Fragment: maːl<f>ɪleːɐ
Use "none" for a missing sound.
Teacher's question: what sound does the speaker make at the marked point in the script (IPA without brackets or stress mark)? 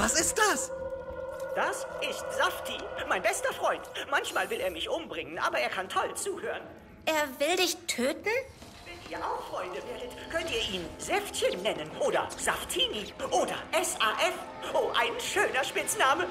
v